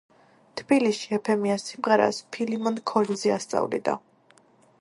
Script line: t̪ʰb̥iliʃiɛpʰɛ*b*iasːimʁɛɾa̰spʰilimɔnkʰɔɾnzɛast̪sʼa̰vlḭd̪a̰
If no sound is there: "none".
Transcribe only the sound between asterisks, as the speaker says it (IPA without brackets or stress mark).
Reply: m